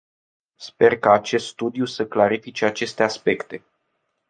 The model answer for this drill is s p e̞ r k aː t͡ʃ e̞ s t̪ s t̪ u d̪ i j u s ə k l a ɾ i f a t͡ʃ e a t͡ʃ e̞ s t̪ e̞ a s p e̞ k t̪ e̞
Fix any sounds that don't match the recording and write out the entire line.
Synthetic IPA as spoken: s p e̞ r k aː t͡ʃ e̞ s t̪ s t̪ u d̪ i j u s ə k l a ɾ i f i t͡ʃ e a t͡ʃ e̞ s t̪ e̞ a s p e̞ k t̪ e̞